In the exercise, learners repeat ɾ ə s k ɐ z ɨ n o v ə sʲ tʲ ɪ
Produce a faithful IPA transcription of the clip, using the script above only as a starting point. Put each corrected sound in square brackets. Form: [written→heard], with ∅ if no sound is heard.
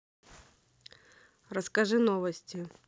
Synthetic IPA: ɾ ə s k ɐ [z→ʐ] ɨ n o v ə sʲ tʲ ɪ